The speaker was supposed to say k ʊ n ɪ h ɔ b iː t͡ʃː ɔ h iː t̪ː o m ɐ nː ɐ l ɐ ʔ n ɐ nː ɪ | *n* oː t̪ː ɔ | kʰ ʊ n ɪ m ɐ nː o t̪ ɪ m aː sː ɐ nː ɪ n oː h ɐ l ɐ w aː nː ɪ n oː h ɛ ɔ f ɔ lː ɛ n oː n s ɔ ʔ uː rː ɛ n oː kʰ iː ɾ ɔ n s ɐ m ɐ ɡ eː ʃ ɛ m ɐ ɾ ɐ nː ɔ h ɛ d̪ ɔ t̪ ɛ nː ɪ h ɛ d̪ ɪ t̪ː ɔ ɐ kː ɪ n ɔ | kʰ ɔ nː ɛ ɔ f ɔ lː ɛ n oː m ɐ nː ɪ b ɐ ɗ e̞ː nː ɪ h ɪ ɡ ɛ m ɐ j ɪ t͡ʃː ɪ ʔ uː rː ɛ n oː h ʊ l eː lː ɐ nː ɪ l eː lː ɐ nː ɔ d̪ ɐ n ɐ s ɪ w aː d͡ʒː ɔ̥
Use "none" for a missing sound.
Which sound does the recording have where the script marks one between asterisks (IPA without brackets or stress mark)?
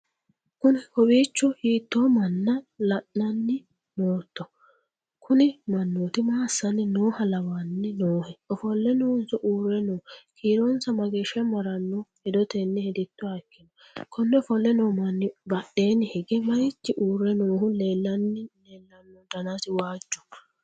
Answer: n